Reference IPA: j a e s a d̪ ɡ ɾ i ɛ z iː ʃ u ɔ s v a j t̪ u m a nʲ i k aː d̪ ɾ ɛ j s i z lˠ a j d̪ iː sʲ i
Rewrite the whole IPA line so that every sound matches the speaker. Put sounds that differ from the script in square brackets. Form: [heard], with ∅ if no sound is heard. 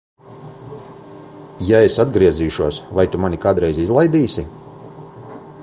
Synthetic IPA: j a e s a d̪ ɡ ɾ i ɛ z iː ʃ u ɔ s v a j t̪ u m a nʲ i k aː d̪ ɾ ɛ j [z] i z lˠ a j d̪ iː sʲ i